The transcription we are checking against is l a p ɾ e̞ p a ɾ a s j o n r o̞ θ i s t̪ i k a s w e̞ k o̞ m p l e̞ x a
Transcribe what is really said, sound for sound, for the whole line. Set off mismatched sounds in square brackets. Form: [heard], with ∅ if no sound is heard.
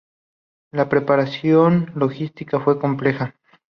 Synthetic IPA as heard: l a p ɾ e̞ p a ɾ a s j o n [l] o̞ [x] i s t̪ i k a [f] w e̞ k o̞ m p l e̞ x a